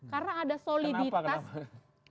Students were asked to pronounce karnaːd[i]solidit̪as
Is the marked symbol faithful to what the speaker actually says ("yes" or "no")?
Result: no